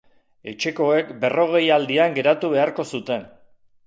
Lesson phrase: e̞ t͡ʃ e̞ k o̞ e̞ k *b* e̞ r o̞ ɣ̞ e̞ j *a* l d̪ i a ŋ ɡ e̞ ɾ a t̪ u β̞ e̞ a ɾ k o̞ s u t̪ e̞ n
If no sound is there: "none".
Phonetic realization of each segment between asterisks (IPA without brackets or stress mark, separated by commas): b, a